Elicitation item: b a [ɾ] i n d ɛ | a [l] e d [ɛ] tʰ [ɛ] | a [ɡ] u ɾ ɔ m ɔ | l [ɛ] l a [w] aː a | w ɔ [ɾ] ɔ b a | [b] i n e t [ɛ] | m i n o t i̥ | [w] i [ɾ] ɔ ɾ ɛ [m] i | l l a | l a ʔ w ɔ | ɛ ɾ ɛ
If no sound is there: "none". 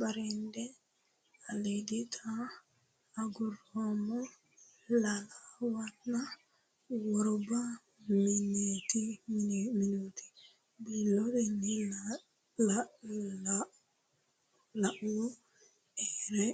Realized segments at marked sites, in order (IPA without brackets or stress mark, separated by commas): ɾ, l, i, a, ɡ, a, w, ɾ, m, i, b, l, n